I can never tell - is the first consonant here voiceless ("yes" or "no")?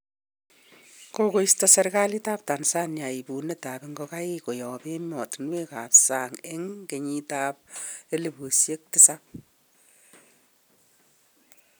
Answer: yes